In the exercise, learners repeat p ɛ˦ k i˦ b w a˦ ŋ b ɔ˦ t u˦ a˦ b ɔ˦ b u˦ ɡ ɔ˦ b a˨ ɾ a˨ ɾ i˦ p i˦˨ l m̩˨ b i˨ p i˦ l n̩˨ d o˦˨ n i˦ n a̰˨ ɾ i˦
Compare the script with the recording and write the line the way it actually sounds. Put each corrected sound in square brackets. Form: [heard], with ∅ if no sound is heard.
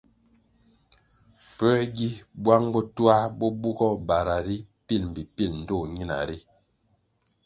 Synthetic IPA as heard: p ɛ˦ [ɡ] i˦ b w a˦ ŋ b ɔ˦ t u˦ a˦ b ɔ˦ b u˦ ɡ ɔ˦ b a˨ ɾ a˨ ɾ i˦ p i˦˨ l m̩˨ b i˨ p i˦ l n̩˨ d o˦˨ [ɲ] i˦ n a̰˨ ɾ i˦